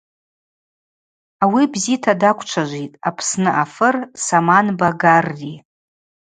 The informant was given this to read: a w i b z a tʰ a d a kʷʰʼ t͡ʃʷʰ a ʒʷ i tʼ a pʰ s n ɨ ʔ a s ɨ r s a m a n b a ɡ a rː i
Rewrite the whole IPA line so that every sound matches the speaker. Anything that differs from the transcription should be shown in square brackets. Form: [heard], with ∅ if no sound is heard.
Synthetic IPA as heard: a w i b z [i] tʰ a d a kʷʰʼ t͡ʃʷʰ a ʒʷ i tʼ a pʰ s n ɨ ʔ a [f] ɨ r s a m a n b a ɡ a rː i